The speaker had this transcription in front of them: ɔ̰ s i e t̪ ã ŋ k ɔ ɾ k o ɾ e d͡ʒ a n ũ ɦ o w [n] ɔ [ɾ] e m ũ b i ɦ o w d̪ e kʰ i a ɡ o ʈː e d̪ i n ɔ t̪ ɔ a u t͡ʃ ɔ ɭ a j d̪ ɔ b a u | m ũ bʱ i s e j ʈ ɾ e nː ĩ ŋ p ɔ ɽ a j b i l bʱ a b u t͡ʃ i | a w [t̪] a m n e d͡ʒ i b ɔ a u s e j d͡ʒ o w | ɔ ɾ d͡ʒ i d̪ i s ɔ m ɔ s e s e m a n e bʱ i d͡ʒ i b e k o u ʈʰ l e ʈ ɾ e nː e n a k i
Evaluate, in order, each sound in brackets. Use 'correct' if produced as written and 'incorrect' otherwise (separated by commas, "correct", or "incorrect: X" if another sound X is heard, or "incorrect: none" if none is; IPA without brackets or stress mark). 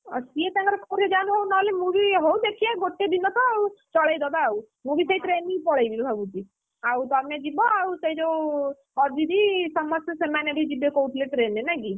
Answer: correct, incorrect: l, correct